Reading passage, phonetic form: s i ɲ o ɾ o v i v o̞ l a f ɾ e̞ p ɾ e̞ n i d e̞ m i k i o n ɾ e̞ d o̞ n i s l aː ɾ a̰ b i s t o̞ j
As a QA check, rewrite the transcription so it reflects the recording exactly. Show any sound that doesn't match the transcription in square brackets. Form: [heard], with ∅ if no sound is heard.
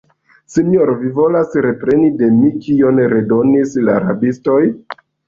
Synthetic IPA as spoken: s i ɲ o ɾ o v i v o̞ l a [s] ɾ e̞ p ɾ e̞ n i d e̞ m i k i o n ɾ e̞ d o̞ n i s l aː ɾ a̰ b i s t o̞ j

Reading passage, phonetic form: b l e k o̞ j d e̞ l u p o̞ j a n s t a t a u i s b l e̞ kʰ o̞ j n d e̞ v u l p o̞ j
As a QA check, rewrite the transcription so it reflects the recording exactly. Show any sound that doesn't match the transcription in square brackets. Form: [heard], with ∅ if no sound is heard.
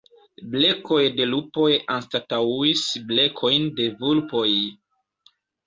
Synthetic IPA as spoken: b l e k o̞ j d e̞ l u p o̞ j a n s t a t a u i s b l e̞ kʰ o̞ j n d e̞ v u l p o̞ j

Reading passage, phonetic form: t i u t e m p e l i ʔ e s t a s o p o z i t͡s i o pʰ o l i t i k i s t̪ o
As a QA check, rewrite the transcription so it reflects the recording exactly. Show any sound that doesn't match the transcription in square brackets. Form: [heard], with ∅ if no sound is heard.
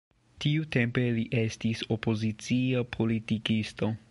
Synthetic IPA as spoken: t i u t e m p e l i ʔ e s t [i] s o p o z i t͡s i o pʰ o l i t i k i s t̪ o

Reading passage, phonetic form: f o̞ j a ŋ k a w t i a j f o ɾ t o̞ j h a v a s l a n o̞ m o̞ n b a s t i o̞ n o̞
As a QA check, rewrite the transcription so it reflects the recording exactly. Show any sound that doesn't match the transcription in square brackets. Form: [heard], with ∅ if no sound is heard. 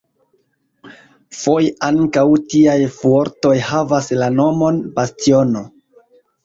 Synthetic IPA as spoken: f o̞ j a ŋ k a w t i a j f o ɾ t o̞ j h a v a s l a n o̞ m o̞ n b a s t i o̞ n o̞

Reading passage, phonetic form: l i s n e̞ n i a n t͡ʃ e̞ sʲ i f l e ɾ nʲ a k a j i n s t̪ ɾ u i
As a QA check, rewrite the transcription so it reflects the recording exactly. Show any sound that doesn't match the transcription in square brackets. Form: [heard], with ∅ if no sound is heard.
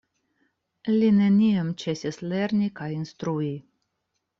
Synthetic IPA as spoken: l i [∅] n e̞ n i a [m] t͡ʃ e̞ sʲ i [s] l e ɾ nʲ [i] k a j i n s t̪ ɾ u i

